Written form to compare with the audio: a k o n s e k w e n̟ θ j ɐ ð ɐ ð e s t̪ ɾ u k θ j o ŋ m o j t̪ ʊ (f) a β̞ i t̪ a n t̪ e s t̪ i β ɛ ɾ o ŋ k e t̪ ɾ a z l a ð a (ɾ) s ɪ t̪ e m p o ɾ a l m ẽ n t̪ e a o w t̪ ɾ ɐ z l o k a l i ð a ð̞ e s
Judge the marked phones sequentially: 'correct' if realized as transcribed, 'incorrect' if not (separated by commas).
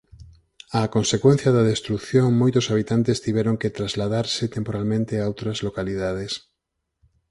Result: incorrect, correct